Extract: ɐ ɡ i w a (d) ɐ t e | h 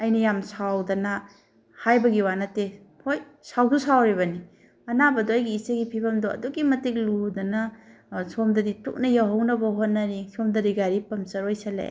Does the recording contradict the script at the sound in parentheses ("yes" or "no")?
yes